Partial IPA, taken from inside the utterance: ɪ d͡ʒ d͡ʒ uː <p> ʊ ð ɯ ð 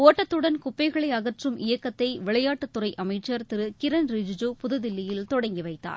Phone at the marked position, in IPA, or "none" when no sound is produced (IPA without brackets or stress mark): p